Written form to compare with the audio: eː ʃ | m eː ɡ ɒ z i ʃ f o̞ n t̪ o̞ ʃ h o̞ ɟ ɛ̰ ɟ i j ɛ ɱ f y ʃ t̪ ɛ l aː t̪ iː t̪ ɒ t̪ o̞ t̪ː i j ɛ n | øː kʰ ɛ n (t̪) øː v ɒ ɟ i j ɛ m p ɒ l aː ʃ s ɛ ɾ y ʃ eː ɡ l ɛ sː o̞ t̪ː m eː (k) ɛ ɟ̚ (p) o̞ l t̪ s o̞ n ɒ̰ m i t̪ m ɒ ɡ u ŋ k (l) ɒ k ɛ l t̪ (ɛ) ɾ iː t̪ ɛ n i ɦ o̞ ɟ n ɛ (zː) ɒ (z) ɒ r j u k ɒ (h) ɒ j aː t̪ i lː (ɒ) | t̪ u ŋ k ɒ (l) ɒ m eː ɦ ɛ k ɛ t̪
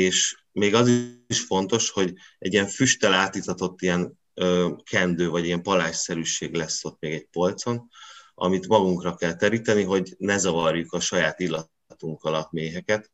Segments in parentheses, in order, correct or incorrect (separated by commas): incorrect, incorrect, correct, incorrect, correct, incorrect, incorrect, incorrect, correct, correct